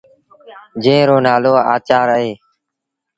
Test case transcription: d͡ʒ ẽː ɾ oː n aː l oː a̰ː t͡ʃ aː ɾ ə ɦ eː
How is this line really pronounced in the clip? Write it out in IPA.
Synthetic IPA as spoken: d͡ʒ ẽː ɾ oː n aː l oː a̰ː t͡ʃ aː ɾ ə ɦ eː

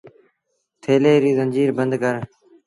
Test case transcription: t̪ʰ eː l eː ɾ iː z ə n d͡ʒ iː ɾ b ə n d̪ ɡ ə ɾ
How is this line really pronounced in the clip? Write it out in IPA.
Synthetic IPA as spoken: t̪ʰ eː l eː ɾ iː z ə n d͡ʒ iː ɾ b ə n d̪ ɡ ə ɾ

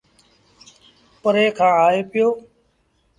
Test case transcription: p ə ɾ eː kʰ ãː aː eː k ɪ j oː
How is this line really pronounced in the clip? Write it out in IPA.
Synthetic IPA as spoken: p ə ɾ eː kʰ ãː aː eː p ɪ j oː

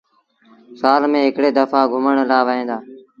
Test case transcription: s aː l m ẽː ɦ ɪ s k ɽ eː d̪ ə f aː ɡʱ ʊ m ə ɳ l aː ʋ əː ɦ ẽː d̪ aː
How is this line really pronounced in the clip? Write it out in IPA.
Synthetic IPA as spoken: s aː l m ẽː ɦ ɪ k ɽ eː d̪ ə f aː ɡʱ ʊ m ə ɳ l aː ʋ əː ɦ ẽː d̪ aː

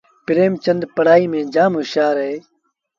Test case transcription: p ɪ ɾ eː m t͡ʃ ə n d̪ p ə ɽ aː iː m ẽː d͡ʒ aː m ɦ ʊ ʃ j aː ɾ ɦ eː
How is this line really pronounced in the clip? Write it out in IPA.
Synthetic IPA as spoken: p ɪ ɾ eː m t͡ʃ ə n d̪ p ə ɽ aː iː m ẽː d͡ʒ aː m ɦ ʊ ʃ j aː ɾ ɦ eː

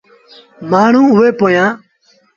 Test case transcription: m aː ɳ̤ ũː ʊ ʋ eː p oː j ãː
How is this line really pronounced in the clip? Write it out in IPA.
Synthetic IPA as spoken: m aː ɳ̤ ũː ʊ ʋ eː p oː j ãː

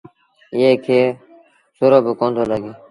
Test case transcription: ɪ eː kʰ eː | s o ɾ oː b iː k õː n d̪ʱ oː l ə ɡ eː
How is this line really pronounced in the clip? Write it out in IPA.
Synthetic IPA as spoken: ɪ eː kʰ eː | s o ɾ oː b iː k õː n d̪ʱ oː l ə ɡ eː

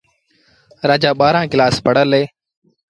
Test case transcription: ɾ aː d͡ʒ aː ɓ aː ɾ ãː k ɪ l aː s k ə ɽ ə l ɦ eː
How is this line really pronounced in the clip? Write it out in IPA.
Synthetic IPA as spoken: ɾ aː d͡ʒ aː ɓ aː ɾ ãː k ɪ l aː s p ə ɽ ə l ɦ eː

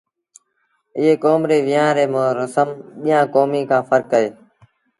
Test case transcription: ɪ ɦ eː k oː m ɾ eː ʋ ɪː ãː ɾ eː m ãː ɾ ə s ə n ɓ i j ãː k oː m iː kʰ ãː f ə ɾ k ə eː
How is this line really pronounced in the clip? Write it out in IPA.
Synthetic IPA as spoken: ɪ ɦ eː k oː m ɾ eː ʋ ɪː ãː ɾ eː m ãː ɾ ə s ə m ɓ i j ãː k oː m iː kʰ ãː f ə ɾ k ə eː

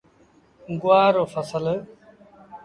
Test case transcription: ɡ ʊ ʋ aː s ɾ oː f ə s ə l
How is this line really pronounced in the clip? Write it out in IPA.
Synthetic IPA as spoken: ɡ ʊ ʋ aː ɾ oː f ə s ə l

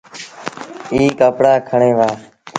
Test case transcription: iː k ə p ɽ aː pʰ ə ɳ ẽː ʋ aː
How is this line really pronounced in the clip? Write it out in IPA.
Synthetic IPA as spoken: iː k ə p ɽ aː kʰ ə ɳ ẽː ʋ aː

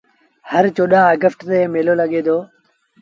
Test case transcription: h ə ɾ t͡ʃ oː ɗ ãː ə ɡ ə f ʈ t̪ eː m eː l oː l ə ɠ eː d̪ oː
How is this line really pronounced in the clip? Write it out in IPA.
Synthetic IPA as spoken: h ə ɾ t͡ʃ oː ɗ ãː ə ɡ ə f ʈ t̪ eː m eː l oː l ə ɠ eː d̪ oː

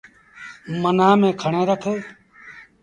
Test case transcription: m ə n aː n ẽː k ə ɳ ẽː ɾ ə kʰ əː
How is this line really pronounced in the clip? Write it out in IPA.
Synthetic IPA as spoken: m ə n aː m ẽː kʰ ə ɳ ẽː ɾ ə kʰ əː

